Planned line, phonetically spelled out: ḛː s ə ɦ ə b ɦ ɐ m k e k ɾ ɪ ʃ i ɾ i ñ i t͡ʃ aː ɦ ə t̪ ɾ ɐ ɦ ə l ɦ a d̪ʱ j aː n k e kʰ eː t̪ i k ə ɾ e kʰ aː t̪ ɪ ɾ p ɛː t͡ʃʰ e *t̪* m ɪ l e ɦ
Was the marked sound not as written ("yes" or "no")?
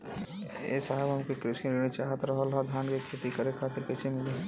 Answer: yes